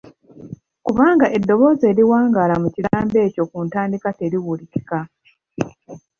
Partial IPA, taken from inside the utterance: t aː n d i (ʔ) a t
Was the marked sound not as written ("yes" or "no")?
yes